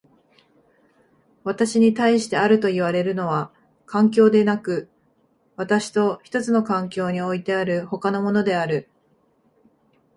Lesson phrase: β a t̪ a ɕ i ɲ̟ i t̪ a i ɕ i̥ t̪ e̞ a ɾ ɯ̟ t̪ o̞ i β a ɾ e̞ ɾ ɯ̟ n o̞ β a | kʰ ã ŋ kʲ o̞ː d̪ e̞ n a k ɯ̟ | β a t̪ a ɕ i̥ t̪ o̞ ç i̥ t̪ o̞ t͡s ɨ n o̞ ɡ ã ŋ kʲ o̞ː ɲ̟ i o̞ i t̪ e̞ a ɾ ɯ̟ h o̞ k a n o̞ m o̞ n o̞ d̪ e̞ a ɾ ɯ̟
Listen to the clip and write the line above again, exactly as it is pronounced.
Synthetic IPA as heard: β a t̪ a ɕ i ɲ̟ i t̪ a i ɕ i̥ t̪ e̞ a ɾ ɯ̟ t̪ o̞ i β a ɾ e̞ ɾ ɯ̟ n o̞ β a | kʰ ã ŋ kʲ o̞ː d̪ e̞ n a k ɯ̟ | β a t̪ a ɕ i̥ t̪ o̞ ç i̥ t̪ o̞ t͡s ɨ n o̞ k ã ŋ kʲ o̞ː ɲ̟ i o̞ i t̪ e̞ a ɾ ɯ̟ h o̞ k a n o̞ m o̞ n o̞ d̪ e̞ a ɾ ɯ̟

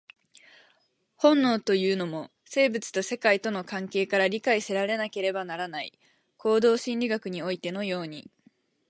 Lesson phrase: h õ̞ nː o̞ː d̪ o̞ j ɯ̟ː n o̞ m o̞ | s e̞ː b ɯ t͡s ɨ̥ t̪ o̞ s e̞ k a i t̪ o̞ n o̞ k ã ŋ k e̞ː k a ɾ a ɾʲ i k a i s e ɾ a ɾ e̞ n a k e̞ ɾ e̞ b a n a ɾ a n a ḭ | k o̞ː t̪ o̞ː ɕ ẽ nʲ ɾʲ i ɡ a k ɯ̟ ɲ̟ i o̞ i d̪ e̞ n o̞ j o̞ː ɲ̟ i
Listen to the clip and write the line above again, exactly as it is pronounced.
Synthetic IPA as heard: h õ̞ nː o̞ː t̪ o̞ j ɯ̟ː n o̞ m o̞ | s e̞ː b ɯ t͡s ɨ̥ t̪ o̞ s e̞ k a i t̪ o̞ n o̞ k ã ŋ k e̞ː k a ɾ a ɾʲ i k a i s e ɾ a ɾ e̞ n a k e̞ ɾ e̞ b a n a ɾ a n a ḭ | k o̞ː d̪ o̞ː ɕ ĩ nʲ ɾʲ i ɡ a k ɯ̟ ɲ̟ i o̞ i t̪ e̞ n o̞ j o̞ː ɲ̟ i

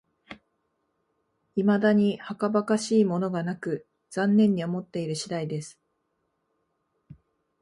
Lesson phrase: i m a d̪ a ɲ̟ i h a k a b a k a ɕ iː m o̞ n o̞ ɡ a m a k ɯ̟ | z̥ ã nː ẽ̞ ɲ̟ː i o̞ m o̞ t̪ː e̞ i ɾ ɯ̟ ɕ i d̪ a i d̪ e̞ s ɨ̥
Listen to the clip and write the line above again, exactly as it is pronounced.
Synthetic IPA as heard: i m a d̪ a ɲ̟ i h a k a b a k a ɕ iː m o̞ n o̞ ɡ a n a k ɯ̟ | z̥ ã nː ẽ̞ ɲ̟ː i o̞ m o̞ t̪ː e̞ i ɾ ɯ̟ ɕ i d̪ a i d̪ e̞ s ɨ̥

